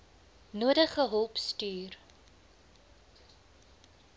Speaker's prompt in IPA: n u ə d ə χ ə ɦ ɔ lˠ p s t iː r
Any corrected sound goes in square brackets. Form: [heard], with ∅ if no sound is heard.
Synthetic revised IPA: n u ə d ə χ ə ɦ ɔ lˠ p s t [yː] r

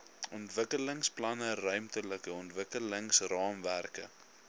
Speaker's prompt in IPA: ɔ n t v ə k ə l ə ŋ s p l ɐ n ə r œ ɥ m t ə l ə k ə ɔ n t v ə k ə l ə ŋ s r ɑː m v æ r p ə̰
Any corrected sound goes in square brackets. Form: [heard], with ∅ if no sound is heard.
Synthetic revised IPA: ɔ n t v ə k ə l ə ŋ s p l ɐ n ə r œ ɥ m t ə l ə k ə ɔ n t v ə k ə l ə ŋ s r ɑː m v æ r [k] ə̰

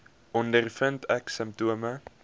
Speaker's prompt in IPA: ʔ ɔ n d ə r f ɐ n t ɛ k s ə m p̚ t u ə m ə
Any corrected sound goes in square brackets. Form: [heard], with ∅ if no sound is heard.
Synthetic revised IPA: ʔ ɔ n d ə r f [ə] n t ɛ k s ə m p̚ t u ə m ə

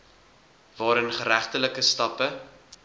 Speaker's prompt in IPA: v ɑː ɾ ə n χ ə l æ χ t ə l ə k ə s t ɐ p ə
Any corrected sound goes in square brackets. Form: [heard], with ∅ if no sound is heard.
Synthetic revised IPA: v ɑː ɾ ə n χ ə [ɾ] æ χ t ə l ə k ə s t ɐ p ə

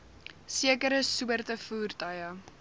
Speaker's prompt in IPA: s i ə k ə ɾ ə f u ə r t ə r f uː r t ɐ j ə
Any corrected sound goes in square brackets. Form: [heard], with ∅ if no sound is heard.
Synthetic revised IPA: s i ə k ə ɾ ə [s] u ə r t ə [∅] f uː r t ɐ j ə

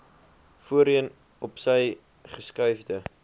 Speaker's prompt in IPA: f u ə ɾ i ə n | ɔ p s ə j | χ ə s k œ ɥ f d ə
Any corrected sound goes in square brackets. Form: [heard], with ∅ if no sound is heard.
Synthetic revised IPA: f u ə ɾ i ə n | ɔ p s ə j | χ ə s k œ ɥ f d ə

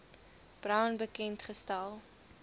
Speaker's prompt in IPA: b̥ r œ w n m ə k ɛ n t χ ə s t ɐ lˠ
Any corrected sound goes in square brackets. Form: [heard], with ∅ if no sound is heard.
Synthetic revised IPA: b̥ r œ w n [b] ə k ɛ n t χ ə s t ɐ lˠ

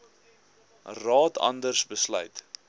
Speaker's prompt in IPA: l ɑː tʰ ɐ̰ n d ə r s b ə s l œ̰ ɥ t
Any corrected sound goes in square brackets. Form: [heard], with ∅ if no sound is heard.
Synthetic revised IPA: [r] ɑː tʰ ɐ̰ n d ə r s b ə s l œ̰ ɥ t

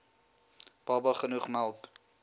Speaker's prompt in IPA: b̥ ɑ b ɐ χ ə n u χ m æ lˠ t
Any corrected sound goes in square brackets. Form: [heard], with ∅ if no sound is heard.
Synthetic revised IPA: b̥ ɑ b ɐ χ ə n u χ m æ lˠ [k]

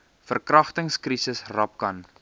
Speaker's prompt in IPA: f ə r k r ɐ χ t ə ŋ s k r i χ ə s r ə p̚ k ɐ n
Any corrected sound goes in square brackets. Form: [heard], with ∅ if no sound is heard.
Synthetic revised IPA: f ə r k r ɐ χ t ə ŋ s k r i [s] ə s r [ɐ] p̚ k ɐ n

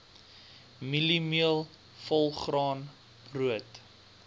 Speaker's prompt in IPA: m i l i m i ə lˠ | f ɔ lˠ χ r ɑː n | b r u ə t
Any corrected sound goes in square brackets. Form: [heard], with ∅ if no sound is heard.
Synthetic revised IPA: m i l i m i ə lˠ | f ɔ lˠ χ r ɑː n | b r u ə t

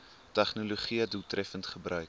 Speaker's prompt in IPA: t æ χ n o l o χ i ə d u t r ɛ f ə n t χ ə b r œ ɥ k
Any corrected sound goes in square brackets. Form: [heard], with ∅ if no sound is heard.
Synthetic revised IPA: t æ χ n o l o χ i ə d u t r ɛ f ə n t χ ə b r œ ɥ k

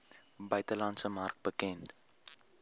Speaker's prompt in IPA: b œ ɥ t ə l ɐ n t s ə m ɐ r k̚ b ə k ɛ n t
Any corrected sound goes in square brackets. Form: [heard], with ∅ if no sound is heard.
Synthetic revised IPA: b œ ɥ t ə l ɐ n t s ə m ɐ r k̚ b ə k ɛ n t

